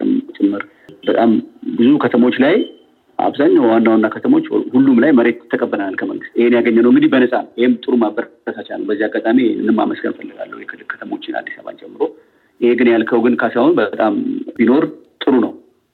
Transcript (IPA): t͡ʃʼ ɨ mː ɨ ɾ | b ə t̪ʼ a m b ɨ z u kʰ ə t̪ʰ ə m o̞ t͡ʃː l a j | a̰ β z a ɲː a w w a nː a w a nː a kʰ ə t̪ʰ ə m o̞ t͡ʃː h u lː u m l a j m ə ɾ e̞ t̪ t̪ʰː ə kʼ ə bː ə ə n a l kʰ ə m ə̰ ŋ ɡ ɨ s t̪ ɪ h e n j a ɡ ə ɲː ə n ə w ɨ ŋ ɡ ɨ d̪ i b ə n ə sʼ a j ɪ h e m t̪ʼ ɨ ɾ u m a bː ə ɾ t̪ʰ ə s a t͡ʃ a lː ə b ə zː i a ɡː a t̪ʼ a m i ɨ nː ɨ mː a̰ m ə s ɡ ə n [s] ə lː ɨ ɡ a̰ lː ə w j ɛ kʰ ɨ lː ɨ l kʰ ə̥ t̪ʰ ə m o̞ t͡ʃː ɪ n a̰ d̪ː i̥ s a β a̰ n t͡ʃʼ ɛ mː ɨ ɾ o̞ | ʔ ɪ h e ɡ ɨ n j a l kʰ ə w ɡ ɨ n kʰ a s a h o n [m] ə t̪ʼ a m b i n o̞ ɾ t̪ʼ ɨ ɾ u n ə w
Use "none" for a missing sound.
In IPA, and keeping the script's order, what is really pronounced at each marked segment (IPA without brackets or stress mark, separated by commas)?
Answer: f, b